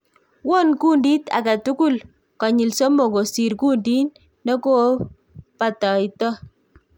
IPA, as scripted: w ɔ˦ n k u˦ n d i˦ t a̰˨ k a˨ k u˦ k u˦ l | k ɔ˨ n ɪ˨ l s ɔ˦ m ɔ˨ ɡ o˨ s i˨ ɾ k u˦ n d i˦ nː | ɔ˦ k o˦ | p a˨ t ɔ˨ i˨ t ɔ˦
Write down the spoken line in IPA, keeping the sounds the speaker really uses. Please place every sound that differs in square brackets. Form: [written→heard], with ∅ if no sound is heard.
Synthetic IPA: w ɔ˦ n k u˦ n d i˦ t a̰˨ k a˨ [k→t] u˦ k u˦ l | k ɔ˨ [n→ɲ] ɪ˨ l s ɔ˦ m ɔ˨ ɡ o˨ s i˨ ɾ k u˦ n d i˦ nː | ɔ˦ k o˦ | p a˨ t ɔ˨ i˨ t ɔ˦